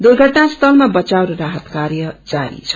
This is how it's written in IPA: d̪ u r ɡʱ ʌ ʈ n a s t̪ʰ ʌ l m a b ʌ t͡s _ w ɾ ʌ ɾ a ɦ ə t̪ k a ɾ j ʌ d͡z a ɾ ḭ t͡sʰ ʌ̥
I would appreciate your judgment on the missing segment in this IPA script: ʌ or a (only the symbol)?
a